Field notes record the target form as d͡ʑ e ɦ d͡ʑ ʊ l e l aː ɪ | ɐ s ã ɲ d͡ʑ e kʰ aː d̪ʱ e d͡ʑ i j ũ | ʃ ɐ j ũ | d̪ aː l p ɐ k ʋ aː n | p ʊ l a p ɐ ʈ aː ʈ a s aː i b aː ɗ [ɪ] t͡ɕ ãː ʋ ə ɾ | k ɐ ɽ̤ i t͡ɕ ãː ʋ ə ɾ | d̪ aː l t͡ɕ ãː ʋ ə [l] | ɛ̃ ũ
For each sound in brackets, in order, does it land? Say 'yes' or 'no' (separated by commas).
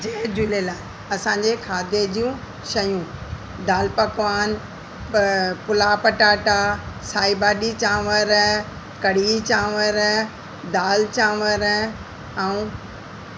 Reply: no, no